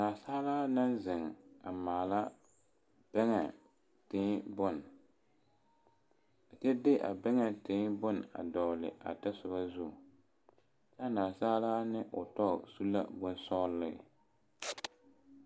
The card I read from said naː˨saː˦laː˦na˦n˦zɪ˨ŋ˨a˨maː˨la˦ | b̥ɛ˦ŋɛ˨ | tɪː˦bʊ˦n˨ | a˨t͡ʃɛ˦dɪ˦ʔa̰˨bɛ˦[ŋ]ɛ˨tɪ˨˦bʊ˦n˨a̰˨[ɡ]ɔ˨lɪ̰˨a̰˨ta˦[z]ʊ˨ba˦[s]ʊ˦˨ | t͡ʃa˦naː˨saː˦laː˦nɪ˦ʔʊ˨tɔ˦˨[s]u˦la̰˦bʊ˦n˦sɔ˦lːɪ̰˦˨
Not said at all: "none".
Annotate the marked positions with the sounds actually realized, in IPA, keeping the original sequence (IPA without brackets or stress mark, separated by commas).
ŋ, d, s, z, s